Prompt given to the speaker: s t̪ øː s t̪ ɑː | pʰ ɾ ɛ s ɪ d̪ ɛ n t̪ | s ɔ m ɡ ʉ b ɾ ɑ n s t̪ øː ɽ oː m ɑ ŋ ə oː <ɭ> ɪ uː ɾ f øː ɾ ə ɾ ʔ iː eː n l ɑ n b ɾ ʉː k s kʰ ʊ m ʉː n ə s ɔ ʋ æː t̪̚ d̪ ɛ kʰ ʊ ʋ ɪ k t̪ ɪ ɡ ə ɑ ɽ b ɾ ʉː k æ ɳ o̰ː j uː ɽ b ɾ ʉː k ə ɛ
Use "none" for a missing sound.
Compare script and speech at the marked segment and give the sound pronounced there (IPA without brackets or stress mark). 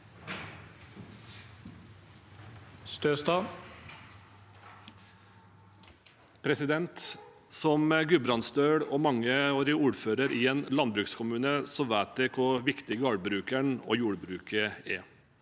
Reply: ɾ